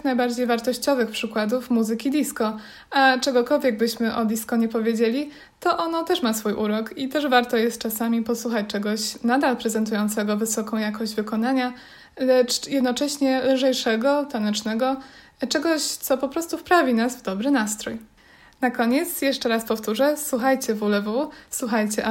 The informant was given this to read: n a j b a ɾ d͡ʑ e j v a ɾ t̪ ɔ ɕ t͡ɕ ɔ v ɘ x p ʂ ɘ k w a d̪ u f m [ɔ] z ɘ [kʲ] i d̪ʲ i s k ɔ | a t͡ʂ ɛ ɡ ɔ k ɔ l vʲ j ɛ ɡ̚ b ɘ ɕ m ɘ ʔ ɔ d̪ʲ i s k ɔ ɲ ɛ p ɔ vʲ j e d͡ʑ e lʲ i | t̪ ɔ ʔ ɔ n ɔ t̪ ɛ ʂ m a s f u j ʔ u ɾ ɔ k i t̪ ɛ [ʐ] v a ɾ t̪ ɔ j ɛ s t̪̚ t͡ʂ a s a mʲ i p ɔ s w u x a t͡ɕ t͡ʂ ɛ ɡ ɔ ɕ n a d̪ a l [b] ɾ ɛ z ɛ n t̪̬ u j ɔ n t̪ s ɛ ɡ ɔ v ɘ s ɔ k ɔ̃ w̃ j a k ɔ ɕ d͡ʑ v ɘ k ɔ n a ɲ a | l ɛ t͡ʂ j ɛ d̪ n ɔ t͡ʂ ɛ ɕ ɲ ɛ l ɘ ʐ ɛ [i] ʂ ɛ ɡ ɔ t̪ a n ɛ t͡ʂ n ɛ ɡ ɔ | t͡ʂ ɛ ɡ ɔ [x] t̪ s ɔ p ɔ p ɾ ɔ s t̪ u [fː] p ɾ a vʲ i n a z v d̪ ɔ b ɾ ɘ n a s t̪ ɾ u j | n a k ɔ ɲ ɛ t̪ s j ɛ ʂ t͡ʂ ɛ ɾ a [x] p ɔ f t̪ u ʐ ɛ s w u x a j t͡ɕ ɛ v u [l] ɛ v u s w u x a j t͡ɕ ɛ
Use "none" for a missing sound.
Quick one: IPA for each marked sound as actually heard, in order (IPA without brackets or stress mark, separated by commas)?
u, kʲ, ʐ, p, j, ɕ, f, s, l